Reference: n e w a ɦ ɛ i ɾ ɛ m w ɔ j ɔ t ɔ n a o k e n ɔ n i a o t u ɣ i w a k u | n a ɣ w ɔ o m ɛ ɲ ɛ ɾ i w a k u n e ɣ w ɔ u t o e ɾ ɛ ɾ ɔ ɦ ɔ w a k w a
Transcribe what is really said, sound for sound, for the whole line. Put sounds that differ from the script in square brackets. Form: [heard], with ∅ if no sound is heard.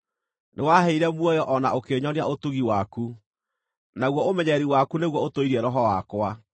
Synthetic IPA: n e w a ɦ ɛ i ɾ ɛ m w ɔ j ɔ [ʔ] ɔ n a o k e [ɲ] ɔ n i a o t u ɣ i w a k u | n a ɣ w ɔ o m ɛ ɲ ɛ ɾ i w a k u n e ɣ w ɔ [o] t o [i] ɾ ɛ ɾ ɔ ɦ ɔ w a k w a